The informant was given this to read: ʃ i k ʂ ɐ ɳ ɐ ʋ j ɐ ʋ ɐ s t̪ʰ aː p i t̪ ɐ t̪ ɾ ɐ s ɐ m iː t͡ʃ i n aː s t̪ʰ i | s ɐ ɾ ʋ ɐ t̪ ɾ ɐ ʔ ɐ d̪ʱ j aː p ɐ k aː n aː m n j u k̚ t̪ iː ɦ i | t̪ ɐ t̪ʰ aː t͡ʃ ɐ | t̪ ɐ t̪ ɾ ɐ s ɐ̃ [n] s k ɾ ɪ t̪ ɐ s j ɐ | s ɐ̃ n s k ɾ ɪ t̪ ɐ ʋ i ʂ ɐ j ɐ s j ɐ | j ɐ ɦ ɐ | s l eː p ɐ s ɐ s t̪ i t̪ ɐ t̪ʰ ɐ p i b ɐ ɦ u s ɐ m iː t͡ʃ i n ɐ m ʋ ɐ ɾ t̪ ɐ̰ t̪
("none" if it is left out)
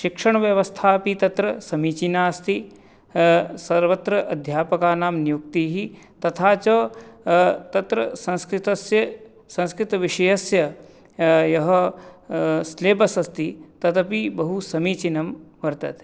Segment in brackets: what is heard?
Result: n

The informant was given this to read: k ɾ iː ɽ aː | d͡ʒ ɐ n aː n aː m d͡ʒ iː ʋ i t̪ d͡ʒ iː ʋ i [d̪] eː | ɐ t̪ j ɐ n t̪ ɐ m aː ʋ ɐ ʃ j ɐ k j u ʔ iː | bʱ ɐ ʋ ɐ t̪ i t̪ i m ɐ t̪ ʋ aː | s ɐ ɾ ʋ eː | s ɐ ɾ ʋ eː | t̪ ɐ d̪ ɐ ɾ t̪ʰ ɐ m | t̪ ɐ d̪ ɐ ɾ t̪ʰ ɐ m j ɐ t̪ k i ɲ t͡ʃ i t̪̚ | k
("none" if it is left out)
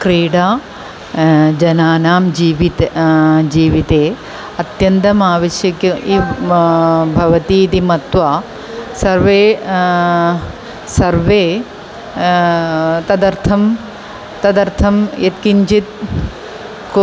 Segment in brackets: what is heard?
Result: t̪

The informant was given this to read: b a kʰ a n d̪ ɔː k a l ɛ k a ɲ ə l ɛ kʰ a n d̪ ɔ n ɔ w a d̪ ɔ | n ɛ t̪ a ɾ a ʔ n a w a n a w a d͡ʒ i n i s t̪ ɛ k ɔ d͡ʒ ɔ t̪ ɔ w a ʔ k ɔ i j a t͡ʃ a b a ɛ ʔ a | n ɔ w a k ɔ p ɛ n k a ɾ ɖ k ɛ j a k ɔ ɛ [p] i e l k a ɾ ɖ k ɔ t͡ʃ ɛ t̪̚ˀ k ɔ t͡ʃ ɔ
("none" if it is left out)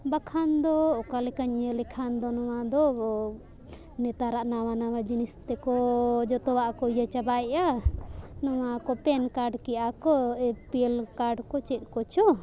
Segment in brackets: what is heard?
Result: p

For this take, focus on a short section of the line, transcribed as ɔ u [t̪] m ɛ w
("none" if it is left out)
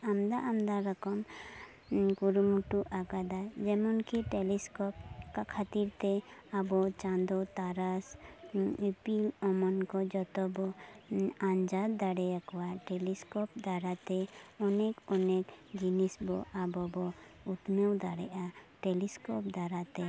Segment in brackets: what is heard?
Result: t̪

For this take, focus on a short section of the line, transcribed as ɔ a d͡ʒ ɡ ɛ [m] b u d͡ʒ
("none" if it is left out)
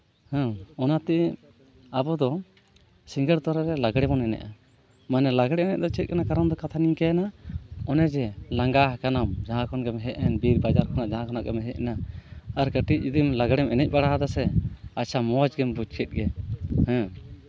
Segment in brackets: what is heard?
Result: m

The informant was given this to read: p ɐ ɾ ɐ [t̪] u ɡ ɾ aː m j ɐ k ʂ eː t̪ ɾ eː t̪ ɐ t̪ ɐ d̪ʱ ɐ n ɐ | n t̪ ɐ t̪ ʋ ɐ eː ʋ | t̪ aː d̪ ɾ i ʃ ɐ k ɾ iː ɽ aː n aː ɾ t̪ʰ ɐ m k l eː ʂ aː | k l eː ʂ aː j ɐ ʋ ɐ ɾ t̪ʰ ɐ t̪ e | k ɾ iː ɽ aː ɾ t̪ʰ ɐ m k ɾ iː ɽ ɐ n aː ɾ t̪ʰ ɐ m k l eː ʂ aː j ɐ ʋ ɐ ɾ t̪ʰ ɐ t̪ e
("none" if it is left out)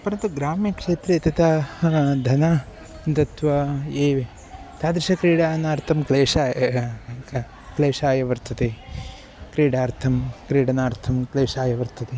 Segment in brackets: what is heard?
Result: t̪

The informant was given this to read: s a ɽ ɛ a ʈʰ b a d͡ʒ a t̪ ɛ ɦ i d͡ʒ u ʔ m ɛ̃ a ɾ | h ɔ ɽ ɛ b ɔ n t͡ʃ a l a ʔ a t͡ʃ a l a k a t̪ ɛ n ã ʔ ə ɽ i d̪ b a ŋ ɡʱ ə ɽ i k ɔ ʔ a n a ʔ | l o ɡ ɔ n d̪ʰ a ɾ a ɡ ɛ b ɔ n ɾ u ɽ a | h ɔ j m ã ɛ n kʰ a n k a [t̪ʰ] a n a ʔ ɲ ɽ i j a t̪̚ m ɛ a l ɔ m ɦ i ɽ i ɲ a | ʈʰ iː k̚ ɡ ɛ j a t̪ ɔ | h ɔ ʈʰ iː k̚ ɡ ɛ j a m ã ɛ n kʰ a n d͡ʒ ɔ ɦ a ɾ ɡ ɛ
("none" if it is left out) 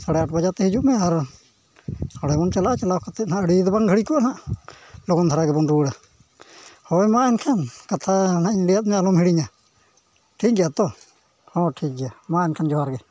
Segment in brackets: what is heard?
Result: t̪ʰ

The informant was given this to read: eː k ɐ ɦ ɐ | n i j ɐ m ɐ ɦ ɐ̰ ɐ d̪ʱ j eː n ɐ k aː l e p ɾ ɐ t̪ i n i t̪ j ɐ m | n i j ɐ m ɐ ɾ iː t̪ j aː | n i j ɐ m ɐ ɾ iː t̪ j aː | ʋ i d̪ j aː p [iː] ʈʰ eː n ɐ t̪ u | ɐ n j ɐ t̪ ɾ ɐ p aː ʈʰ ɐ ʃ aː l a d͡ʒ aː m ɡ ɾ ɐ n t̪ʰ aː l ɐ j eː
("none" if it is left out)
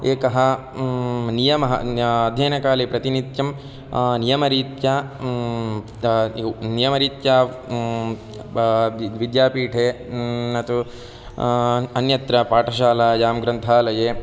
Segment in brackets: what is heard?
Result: iː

